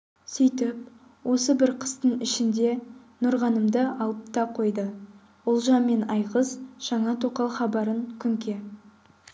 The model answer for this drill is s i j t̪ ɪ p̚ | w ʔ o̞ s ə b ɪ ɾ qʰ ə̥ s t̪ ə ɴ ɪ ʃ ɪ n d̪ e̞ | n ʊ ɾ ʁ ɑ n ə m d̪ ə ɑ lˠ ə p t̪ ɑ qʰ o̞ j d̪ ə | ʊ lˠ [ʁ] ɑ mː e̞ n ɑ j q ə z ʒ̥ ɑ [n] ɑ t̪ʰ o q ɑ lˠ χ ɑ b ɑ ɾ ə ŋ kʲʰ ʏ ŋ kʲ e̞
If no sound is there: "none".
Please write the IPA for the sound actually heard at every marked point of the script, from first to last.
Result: ʒ, ɴ

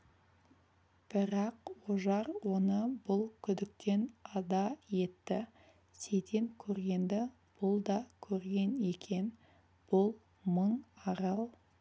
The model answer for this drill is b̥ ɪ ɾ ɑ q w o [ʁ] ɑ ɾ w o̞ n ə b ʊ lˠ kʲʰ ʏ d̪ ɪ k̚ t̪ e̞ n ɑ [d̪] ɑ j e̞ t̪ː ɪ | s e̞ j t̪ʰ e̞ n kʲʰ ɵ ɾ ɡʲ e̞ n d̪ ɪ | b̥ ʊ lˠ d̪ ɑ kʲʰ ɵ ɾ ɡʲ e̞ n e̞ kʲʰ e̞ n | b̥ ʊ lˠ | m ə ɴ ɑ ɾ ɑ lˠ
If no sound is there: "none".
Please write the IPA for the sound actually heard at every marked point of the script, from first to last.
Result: ʒ, d̪

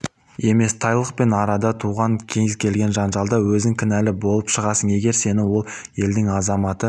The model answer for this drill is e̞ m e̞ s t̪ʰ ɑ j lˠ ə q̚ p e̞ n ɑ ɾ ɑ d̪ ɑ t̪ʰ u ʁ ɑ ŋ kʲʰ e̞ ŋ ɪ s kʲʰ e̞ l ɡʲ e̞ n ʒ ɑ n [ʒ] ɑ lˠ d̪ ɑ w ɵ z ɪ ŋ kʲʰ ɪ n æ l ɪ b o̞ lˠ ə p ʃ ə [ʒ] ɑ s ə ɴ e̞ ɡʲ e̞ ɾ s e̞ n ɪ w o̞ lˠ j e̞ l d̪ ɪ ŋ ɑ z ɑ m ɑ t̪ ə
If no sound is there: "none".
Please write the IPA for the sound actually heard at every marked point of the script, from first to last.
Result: ʒ, ʁ

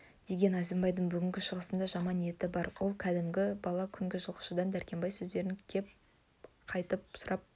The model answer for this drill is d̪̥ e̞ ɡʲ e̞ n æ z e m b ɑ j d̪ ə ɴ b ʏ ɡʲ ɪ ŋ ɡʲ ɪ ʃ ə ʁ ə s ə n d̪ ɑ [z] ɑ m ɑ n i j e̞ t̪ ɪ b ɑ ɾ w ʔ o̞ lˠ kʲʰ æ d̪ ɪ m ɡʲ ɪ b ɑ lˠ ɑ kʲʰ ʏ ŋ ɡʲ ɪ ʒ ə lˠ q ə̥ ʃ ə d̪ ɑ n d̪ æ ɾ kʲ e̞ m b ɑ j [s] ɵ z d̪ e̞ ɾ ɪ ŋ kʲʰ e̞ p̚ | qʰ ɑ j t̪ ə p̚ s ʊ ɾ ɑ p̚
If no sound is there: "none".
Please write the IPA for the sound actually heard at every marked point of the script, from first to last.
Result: ʒ, s

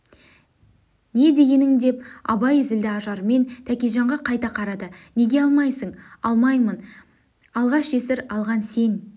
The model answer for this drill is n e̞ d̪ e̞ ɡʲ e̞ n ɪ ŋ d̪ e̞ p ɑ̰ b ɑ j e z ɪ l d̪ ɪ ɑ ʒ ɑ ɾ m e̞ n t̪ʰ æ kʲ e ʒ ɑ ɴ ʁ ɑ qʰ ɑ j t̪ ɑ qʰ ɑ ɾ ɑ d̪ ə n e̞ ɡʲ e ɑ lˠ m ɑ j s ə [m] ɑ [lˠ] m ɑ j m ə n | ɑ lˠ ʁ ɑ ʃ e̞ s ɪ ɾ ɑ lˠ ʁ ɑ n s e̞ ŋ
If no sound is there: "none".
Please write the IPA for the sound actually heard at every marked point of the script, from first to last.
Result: ɴ, lˠ

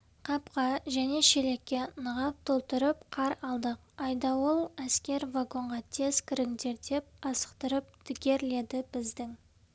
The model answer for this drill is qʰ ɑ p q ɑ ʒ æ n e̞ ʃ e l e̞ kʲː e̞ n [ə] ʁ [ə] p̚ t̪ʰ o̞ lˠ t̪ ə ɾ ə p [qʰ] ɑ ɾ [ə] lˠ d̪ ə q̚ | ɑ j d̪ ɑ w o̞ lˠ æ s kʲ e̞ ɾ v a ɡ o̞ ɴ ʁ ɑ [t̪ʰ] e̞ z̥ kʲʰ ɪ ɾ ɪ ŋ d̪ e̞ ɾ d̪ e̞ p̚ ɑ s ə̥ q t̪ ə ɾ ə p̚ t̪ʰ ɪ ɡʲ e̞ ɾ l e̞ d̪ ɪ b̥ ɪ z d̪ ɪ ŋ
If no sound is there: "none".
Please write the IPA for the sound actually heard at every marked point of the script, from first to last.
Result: ə, ɑ, qʰ, ɑ, t̪ʰ

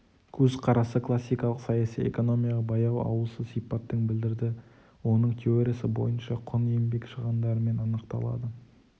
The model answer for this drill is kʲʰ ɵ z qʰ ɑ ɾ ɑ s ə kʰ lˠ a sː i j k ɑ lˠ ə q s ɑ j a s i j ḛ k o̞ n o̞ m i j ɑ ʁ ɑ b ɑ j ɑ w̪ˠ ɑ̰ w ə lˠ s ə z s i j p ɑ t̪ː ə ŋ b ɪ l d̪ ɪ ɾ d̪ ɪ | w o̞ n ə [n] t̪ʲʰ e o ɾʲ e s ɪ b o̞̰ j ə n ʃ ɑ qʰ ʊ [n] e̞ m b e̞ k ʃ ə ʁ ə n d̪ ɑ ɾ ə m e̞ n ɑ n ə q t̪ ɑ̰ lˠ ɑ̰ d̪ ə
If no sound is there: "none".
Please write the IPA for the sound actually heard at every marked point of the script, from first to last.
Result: ɴ, n

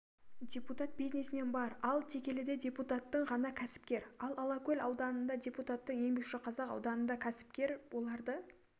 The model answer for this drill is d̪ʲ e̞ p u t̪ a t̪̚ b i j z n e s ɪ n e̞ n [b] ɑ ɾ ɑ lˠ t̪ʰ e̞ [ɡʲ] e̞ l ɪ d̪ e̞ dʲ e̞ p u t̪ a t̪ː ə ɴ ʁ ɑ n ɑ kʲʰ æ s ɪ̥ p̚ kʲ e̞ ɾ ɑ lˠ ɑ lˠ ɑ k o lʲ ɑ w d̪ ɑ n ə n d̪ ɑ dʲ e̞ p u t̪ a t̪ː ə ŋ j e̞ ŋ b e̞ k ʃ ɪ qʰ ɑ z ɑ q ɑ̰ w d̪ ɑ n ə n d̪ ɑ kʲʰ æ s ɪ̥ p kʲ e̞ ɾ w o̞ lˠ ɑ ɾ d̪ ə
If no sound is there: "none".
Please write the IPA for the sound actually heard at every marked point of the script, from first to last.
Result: b, kʲ

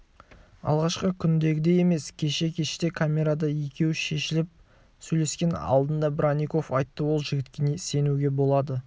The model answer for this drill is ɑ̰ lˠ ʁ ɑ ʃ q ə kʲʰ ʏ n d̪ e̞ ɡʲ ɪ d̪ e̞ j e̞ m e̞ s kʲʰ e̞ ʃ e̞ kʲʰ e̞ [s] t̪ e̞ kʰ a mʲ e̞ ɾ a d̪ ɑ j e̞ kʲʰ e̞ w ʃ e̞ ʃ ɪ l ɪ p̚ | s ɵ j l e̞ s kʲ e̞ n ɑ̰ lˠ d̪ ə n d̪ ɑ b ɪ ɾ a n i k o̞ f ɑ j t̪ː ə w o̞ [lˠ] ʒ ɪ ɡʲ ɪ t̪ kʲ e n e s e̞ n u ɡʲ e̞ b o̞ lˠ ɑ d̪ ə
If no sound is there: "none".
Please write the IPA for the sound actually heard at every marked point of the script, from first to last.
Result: ʃ, lˠ

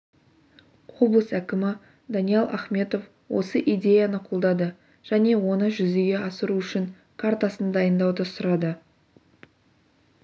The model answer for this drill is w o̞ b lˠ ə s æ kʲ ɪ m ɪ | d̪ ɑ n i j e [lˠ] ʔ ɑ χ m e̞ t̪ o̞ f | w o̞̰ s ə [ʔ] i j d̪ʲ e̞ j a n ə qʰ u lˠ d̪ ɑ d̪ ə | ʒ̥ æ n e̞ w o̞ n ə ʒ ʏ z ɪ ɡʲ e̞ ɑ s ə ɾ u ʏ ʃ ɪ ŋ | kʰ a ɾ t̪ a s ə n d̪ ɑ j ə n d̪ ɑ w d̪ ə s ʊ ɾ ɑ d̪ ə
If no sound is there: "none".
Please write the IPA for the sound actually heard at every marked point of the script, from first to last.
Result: lˠ, ʔ

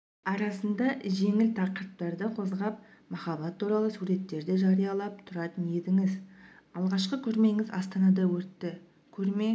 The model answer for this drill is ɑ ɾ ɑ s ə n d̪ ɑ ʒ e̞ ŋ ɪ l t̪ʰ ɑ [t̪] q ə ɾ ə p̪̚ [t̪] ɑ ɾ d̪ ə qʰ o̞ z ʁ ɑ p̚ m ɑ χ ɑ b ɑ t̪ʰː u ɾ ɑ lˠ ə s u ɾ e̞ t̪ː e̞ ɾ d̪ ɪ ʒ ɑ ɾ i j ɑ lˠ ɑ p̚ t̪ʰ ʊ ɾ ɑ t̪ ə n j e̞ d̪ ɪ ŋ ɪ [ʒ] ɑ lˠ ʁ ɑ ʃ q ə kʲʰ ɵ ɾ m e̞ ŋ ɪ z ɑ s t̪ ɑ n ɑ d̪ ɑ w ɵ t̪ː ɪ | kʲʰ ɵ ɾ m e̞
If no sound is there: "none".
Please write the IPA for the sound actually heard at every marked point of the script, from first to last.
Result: none, t̪, z

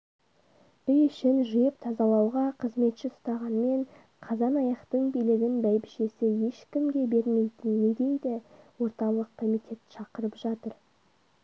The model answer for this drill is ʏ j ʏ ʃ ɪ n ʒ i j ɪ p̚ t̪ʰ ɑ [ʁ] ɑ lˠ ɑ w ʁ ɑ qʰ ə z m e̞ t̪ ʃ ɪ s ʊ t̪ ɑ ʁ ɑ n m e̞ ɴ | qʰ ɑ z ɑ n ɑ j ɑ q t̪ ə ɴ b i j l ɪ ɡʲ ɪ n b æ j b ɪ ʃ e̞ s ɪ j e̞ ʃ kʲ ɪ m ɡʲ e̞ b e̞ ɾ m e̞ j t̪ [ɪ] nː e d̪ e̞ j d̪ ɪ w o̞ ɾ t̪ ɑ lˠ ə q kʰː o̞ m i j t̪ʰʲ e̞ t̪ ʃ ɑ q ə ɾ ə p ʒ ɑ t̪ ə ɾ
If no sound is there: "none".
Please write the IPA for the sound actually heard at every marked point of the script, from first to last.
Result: z, ɪ

